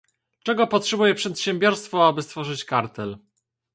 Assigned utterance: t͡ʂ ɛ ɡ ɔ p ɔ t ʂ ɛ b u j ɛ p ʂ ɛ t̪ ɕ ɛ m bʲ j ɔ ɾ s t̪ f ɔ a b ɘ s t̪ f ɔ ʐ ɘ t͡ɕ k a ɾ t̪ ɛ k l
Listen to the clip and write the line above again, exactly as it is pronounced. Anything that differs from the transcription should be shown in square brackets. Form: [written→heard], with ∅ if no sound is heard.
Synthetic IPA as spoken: t͡ʂ ɛ ɡ ɔ p ɔ t ʂ ɛ b u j ɛ p ʂ ɛ t̪ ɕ ɛ m bʲ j ɔ ɾ s t̪ f ɔ a b ɘ s t̪ f ɔ ʐ ɘ t͡ɕ k a ɾ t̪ ɛ [k→∅] l